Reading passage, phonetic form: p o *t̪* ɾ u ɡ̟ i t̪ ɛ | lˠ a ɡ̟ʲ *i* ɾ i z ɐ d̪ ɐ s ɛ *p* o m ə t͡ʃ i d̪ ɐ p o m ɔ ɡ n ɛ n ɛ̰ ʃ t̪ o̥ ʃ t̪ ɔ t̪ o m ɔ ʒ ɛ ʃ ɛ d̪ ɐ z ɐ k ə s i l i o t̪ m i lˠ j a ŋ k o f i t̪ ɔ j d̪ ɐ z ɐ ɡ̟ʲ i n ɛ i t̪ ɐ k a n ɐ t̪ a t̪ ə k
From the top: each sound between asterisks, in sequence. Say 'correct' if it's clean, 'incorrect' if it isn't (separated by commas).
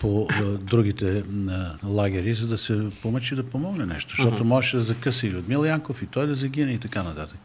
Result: incorrect, incorrect, correct